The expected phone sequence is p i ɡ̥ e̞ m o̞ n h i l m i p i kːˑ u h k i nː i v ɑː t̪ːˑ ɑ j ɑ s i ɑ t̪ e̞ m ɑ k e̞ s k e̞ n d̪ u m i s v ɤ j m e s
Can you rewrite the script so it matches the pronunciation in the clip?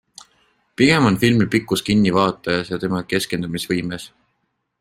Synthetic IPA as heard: p i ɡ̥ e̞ m o̞ n f i l m i p i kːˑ u s k i nː i v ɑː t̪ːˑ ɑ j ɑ s j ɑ t̪ e̞ m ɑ k e̞ s k e̞ n d̪ u m i s v ɤ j m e s